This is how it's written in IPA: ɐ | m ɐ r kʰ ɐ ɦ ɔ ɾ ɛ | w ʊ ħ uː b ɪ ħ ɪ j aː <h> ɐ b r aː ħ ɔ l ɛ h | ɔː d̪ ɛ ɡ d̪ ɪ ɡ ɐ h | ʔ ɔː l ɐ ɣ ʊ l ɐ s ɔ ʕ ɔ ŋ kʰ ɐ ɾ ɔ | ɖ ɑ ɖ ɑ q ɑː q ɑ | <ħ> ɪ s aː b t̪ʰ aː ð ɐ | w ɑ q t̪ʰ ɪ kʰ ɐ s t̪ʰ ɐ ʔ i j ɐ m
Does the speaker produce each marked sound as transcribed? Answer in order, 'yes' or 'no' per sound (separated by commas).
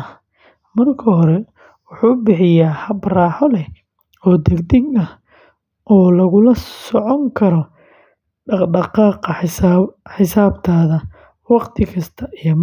yes, yes